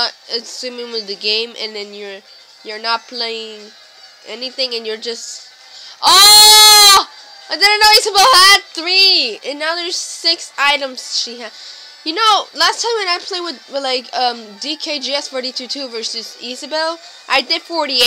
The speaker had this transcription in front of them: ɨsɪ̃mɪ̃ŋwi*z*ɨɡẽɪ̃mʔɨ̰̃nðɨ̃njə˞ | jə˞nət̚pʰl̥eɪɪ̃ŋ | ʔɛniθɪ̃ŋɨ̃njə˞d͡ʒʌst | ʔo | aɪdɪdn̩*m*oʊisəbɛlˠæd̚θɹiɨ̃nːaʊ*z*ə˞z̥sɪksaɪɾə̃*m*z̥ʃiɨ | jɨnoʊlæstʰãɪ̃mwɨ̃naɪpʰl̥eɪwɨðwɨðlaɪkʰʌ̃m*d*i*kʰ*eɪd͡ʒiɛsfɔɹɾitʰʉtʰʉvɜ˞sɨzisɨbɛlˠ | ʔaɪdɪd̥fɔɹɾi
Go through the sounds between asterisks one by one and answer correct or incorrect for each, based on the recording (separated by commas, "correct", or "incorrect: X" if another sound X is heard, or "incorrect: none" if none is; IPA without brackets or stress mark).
incorrect: ð, incorrect: n, incorrect: ð, correct, correct, correct